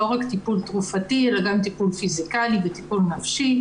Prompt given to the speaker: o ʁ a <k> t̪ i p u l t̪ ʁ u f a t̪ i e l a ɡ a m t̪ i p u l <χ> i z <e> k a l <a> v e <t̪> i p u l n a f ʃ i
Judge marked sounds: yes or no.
yes, no, no, no, yes

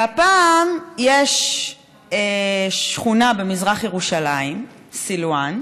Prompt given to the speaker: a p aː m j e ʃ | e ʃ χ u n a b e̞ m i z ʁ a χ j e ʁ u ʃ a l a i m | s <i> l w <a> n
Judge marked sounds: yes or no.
yes, yes

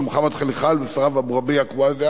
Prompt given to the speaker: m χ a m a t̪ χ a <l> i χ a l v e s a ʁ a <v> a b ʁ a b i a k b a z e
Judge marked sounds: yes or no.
yes, yes

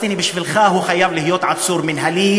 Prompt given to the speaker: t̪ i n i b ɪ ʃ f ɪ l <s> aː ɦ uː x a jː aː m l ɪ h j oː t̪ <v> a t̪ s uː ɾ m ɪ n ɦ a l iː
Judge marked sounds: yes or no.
no, no

